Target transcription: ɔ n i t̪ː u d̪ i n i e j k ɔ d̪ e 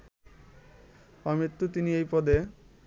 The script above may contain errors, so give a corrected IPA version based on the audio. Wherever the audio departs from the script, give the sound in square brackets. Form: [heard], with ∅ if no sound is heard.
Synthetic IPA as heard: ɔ [m] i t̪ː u [t̪] i n i e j [p] ɔ d̪ e